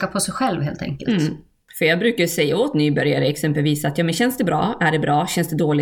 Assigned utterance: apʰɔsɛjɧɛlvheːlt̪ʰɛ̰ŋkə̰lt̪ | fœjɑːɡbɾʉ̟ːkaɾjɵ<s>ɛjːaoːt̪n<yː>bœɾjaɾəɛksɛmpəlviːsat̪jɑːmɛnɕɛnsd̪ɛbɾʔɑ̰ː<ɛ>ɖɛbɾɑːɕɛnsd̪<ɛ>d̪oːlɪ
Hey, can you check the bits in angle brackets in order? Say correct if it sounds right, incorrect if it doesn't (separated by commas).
correct, correct, incorrect, correct